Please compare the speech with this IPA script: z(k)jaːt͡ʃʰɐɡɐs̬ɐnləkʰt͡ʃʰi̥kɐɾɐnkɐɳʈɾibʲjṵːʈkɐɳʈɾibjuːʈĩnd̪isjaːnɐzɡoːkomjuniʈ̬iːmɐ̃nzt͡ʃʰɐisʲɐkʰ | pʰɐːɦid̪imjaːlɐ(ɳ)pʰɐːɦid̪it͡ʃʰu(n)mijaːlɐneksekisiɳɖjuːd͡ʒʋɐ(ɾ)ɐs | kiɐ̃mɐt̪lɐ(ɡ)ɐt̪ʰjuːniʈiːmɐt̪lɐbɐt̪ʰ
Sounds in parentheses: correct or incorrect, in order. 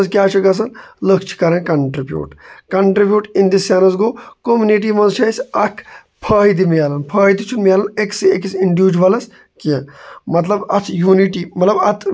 correct, incorrect: n, correct, incorrect: l, incorrect: b

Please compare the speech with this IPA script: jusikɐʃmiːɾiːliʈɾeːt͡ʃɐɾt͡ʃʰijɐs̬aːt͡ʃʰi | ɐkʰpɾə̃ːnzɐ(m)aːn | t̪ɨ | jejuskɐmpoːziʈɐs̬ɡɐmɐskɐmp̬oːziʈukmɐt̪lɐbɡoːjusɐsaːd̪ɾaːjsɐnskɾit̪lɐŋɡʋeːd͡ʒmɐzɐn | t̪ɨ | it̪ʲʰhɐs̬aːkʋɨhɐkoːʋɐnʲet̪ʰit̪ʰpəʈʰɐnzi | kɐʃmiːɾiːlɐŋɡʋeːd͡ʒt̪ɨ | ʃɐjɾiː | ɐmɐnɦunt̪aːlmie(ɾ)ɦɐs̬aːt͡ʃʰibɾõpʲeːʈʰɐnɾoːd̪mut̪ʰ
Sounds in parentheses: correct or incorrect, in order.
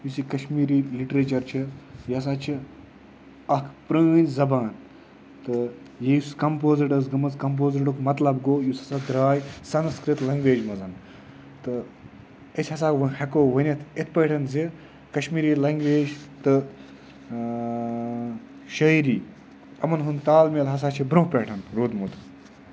incorrect: b, incorrect: l

